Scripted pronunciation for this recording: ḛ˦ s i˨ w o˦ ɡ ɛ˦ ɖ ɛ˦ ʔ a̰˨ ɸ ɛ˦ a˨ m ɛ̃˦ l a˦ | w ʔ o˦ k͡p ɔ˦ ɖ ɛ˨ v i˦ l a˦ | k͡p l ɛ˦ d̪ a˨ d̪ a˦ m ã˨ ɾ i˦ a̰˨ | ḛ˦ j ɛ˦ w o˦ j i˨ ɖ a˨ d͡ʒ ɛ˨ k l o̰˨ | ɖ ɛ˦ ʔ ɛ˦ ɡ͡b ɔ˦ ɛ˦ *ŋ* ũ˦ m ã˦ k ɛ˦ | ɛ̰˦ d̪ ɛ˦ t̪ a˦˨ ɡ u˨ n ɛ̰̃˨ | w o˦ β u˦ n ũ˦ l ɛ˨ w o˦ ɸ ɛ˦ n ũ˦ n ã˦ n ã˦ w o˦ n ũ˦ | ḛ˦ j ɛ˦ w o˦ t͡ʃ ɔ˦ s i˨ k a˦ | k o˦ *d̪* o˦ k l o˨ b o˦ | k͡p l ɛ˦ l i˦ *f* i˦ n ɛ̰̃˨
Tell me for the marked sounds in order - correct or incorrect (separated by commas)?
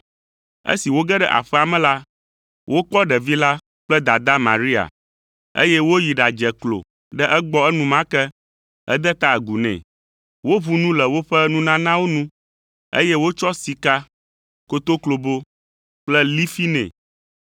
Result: incorrect, incorrect, correct